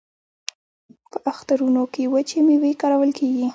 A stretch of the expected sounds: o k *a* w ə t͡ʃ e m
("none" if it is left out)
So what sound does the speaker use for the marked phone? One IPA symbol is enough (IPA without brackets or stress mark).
e